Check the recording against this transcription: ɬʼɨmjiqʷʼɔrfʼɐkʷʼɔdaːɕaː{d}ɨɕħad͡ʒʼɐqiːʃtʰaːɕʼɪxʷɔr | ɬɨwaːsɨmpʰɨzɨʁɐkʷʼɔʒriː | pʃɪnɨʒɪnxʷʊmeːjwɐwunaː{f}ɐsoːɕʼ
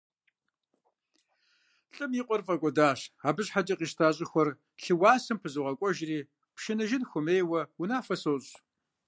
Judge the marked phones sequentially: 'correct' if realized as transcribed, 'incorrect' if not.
incorrect: b, correct

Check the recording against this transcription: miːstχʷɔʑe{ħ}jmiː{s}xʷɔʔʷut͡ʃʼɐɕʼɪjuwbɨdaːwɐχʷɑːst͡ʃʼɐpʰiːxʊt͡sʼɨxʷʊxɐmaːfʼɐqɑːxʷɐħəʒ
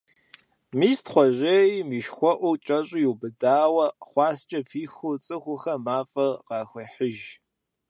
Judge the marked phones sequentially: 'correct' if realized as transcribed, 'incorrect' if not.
incorrect: none, incorrect: ʃ

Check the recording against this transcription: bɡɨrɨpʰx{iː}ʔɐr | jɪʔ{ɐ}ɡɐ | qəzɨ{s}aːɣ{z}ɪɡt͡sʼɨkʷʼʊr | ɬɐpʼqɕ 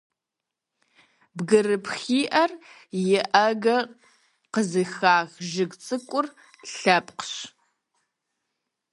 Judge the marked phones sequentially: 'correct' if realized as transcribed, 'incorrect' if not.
correct, correct, incorrect: x, incorrect: ʒ

